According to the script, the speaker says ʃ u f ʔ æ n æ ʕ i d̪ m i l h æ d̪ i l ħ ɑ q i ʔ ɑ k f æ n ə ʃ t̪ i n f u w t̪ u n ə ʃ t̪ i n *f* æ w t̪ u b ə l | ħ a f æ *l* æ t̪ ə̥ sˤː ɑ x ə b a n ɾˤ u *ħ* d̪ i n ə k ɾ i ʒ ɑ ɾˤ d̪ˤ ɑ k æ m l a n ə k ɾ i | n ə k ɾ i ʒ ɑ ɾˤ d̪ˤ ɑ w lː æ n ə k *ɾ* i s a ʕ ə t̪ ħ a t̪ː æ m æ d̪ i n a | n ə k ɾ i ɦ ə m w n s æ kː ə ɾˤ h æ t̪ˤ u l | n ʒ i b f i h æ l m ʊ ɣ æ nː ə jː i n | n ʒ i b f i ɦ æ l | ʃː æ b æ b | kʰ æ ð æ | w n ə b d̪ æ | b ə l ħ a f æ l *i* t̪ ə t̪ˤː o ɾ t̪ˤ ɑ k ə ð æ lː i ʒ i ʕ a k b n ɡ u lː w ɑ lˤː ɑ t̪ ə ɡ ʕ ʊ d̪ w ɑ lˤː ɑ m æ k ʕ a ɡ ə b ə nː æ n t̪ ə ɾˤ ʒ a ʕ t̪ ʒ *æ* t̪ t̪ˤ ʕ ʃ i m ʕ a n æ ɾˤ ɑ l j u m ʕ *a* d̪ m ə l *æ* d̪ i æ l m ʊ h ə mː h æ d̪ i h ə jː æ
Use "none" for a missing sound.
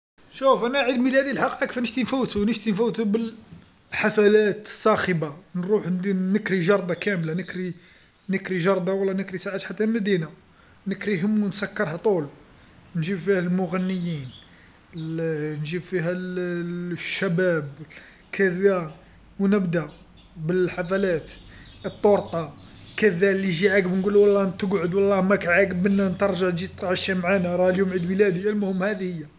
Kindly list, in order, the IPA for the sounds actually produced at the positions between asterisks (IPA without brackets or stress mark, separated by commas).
f, l, ħ, ɾ, æ, i, i, æ